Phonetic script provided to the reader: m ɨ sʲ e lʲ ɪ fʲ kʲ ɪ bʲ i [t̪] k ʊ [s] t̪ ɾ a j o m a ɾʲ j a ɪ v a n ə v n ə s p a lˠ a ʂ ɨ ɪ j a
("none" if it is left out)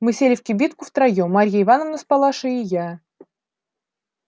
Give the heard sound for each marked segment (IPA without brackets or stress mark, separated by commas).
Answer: t̪, f